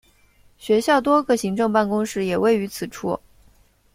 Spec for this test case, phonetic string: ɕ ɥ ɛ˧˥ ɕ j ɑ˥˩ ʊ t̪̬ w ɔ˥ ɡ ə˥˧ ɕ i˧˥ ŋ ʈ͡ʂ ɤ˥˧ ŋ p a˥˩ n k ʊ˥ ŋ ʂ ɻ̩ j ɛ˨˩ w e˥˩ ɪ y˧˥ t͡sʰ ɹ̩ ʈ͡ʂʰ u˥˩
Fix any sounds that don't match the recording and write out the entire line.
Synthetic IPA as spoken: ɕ ɥ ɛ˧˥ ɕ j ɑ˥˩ ʊ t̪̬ w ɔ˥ ɡ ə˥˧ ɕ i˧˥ ŋ ʈ͡ʂ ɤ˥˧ ŋ p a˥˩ n k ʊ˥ ŋ ʂ ɻ̩ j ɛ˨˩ w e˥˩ ɪ y˧˥ t͡sʰ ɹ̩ ʈ͡ʂʰ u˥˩